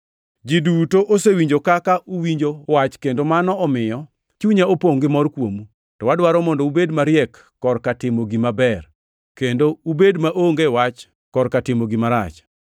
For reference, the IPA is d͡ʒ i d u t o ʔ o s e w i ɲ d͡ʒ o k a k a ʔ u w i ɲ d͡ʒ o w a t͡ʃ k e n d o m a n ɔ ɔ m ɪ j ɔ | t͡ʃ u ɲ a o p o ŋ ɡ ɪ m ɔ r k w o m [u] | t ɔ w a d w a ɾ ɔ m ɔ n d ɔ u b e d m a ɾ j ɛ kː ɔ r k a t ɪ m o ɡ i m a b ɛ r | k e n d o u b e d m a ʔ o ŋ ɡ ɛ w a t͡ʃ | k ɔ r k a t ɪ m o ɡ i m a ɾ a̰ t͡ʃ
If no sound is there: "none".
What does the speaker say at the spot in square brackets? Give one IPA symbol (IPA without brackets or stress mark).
u